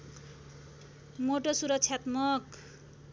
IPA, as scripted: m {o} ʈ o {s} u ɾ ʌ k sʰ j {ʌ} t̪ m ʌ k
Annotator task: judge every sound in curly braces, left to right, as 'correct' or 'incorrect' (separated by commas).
correct, correct, incorrect